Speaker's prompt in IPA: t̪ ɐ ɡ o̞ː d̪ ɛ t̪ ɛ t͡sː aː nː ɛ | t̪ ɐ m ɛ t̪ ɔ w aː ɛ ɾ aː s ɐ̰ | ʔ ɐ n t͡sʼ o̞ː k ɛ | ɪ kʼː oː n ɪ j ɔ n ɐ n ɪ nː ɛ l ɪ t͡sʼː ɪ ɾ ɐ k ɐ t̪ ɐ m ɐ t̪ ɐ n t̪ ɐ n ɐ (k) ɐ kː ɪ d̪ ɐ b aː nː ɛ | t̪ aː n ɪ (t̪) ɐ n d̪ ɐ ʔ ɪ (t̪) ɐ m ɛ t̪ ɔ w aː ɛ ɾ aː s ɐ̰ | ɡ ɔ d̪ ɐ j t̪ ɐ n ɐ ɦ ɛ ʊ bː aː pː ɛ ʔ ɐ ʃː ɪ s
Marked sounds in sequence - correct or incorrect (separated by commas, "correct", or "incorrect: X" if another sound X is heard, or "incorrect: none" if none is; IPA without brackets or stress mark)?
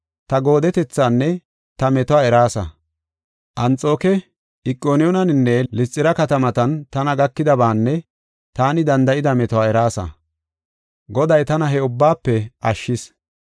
incorrect: ɡ, incorrect: d̪, incorrect: d̪